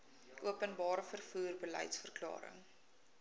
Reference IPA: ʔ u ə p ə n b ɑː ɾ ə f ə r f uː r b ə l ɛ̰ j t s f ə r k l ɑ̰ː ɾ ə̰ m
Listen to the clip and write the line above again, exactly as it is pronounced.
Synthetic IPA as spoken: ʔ u ə p ə n b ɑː ɾ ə f ə r f uː r b ə l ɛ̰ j t s f ə r k l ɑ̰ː ɾ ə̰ ŋ